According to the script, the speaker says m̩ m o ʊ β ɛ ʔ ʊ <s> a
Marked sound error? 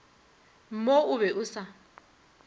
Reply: no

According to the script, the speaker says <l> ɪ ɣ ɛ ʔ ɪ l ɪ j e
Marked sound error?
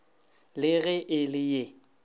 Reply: no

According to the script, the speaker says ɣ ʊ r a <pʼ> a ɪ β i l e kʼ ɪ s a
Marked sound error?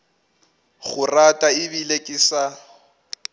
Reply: yes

